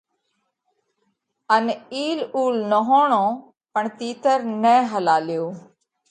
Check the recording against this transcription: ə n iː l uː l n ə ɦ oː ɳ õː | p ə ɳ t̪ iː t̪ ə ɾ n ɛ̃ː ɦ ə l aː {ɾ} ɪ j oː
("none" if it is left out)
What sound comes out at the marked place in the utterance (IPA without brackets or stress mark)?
l